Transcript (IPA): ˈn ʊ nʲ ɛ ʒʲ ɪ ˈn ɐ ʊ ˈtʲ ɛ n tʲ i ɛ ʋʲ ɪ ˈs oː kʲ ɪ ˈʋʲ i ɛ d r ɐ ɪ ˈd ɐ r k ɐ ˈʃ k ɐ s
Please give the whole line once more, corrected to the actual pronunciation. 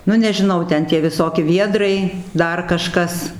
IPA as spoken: ˈn ʊ nʲ ɛ ʒʲ ɪ ˈn ɐ ʊ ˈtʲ ɛ n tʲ i ɛ ʋʲ ɪ ˈs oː kʲ ɪ ˈʋʲ i ɛ d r ɐ ɪ ˈd ɐ r k ɐ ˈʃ k ɐ s